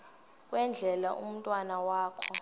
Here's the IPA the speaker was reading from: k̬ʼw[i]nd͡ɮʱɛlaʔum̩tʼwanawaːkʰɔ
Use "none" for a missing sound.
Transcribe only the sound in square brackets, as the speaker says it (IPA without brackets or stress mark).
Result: ɛ